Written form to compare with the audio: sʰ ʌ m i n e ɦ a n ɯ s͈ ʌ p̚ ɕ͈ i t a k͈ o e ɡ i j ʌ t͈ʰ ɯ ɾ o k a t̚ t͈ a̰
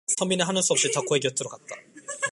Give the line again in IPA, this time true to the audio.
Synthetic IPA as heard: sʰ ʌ m i n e ɦ a n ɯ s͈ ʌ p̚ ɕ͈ i t a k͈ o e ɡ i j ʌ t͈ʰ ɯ ɾ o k a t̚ t͈ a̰